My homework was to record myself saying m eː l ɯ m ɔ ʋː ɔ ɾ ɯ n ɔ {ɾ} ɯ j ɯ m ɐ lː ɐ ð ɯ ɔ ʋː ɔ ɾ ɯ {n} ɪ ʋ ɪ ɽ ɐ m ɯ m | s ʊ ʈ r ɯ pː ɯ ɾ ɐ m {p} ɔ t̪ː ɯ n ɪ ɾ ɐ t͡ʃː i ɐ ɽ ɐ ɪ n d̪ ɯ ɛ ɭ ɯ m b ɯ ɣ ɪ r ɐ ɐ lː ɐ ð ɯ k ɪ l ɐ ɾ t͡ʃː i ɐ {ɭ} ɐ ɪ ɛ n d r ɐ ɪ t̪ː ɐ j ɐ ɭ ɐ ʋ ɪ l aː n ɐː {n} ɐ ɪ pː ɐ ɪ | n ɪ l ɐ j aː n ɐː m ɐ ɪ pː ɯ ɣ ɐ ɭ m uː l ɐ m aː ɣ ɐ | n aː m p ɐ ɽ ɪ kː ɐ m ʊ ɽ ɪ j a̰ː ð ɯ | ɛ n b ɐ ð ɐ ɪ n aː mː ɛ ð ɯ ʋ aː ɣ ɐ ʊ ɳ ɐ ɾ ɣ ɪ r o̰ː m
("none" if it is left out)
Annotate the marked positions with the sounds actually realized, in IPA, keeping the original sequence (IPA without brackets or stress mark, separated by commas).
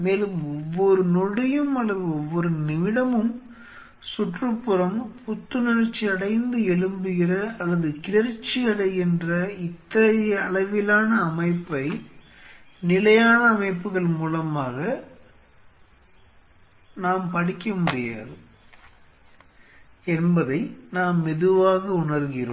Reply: ɽ, n, p, ɽ, m